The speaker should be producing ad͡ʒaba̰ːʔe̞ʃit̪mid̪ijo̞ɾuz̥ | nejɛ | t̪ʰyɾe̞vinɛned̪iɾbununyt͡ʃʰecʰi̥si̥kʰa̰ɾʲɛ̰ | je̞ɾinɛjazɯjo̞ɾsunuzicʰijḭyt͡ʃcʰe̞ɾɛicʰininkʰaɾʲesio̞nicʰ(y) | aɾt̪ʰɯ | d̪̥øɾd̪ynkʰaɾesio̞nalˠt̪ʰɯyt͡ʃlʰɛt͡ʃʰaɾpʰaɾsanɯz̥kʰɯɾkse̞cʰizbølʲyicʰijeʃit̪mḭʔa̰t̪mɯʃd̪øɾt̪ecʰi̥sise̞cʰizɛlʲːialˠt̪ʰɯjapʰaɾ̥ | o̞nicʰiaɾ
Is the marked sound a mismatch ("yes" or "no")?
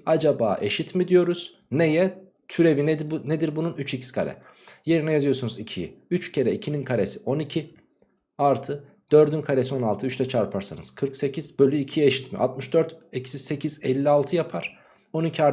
yes